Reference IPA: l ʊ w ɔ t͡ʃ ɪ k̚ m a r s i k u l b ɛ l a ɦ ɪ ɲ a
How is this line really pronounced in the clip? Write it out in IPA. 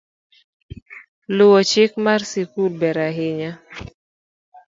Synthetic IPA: l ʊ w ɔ t͡ʃ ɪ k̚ m a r s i k u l b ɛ ɾ a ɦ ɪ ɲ a